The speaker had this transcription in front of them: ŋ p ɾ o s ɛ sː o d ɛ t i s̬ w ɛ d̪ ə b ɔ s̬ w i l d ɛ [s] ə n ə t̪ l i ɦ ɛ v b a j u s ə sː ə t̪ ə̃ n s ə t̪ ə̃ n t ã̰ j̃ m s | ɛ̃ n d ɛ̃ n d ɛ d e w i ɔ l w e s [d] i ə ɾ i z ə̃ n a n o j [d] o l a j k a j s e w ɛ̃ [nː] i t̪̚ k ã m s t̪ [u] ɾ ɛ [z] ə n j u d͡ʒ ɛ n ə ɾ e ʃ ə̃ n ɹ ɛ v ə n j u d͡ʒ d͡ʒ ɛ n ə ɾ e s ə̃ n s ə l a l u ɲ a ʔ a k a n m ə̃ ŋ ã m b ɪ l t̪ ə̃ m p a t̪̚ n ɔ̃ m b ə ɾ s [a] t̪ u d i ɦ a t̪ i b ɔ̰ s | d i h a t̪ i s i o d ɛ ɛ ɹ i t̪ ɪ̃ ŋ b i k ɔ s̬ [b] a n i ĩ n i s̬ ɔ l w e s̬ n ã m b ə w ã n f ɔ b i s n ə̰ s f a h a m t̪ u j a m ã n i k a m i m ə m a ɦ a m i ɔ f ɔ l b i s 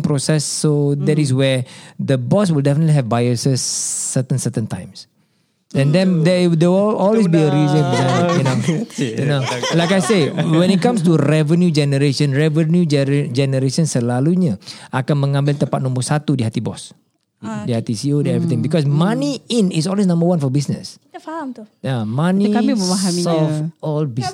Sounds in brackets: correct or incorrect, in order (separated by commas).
incorrect, incorrect, incorrect, incorrect, correct, incorrect, correct, incorrect